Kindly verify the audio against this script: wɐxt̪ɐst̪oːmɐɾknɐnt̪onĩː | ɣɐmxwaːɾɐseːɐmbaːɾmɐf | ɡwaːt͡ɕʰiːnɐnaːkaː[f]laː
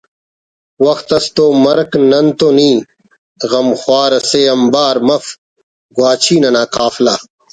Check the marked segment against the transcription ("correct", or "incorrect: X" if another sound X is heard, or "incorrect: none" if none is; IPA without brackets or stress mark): correct